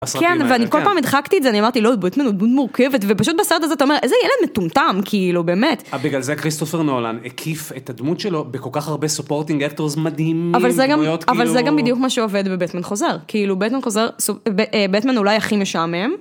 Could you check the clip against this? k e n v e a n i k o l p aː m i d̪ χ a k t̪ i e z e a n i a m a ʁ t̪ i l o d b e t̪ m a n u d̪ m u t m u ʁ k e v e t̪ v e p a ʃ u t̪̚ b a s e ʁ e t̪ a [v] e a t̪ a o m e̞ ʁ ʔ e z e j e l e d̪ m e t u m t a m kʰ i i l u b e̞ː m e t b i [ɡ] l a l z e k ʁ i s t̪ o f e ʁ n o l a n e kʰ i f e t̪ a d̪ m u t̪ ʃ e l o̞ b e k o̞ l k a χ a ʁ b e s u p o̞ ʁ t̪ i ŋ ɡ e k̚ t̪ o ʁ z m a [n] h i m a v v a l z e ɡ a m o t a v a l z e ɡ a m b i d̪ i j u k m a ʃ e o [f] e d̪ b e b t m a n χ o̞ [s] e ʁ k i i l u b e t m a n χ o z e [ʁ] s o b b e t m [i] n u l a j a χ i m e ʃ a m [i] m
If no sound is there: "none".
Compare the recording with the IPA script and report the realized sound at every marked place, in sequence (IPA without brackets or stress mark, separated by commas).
z, ɡ, d, v, z, ʁ, a, e